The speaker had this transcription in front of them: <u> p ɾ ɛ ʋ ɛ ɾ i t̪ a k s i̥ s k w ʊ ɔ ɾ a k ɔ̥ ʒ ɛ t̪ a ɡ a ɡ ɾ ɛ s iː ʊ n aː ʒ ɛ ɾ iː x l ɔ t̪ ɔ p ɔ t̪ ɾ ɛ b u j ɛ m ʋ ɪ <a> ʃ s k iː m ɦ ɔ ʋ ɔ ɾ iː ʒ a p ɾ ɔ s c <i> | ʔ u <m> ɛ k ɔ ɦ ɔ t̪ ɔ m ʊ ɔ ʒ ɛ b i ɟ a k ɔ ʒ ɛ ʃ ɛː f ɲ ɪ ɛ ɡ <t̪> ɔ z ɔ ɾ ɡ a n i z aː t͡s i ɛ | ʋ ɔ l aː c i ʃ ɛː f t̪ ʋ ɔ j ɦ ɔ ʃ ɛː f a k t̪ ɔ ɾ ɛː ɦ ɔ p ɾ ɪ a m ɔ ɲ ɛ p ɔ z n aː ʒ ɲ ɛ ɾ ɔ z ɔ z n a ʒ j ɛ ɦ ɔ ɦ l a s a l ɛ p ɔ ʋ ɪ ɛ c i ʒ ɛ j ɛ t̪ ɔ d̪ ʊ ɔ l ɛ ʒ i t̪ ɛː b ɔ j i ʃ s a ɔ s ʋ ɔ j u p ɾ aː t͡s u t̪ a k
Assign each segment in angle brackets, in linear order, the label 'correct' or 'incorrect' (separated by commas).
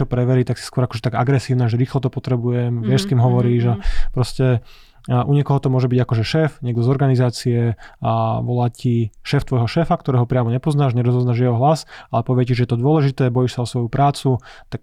incorrect, incorrect, incorrect, incorrect, incorrect